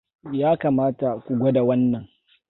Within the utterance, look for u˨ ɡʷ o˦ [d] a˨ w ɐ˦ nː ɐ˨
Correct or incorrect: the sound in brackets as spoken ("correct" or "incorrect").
correct